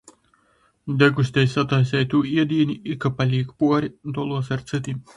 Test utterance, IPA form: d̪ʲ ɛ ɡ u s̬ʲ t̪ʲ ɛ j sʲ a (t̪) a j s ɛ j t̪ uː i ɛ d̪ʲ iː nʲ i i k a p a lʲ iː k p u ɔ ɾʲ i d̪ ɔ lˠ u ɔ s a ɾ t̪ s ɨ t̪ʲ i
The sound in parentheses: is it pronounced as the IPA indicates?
yes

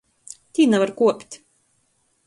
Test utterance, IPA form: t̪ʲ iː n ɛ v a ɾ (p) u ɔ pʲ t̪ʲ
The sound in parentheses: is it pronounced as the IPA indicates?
no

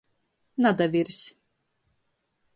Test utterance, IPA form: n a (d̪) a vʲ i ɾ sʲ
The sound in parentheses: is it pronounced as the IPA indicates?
yes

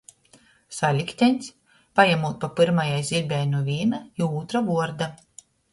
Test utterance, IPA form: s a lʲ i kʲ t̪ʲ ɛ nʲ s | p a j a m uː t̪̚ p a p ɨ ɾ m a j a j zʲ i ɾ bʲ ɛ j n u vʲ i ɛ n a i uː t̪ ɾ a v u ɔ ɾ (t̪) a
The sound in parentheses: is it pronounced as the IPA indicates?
no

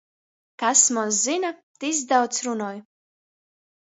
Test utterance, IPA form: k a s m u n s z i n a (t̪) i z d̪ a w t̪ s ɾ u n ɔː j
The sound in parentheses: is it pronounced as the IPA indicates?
yes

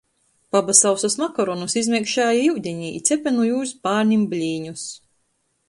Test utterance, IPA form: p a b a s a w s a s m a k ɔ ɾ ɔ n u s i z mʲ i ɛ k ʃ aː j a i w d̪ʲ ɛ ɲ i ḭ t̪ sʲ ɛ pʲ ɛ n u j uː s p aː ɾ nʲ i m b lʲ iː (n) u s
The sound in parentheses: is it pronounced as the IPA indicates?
no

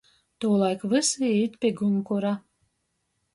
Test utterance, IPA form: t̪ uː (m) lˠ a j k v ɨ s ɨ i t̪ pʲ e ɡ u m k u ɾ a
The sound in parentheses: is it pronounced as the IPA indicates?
no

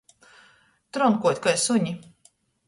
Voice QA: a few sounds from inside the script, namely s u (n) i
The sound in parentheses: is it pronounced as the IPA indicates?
no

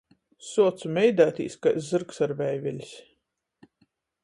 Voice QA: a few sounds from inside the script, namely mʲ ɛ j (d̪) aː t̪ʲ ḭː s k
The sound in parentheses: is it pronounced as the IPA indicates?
yes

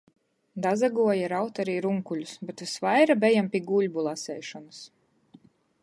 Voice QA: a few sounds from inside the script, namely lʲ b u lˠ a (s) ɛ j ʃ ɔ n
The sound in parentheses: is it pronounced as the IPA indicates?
yes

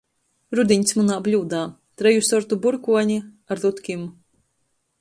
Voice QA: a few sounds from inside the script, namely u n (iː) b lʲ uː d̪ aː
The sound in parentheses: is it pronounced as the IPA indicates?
no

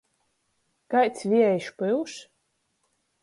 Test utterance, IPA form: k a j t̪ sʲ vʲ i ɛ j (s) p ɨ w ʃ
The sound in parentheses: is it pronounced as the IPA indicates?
no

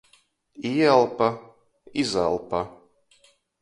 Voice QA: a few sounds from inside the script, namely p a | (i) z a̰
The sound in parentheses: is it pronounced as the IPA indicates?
yes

